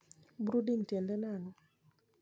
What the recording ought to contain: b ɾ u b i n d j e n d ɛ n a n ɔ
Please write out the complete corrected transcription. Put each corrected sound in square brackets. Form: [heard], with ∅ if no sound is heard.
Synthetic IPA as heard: b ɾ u [d] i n [t] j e n d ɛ n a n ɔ